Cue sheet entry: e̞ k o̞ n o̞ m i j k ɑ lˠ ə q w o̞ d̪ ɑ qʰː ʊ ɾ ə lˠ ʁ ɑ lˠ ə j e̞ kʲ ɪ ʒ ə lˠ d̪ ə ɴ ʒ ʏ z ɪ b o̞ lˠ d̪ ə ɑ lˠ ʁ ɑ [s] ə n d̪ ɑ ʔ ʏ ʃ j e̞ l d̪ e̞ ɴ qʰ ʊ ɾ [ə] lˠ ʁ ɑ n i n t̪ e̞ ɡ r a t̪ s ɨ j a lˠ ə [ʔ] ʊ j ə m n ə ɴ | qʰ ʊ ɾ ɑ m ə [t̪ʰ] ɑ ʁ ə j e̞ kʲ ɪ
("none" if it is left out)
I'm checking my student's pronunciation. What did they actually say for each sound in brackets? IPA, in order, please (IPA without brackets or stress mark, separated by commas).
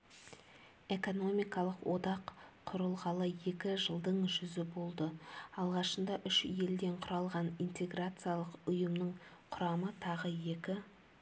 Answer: ʃ, ɑ, q, t̪ʰ